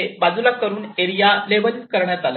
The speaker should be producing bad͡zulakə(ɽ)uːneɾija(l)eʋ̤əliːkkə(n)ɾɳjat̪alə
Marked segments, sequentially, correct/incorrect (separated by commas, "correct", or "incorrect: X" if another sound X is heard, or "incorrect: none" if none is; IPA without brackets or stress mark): incorrect: ɾ, correct, incorrect: none